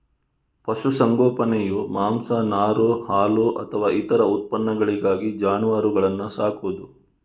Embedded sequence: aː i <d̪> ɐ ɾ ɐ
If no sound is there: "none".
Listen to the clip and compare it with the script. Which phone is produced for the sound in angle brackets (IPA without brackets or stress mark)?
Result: t̪